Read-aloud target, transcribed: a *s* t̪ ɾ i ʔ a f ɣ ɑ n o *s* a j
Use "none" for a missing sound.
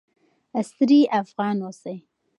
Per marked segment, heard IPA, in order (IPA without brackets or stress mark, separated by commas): s, s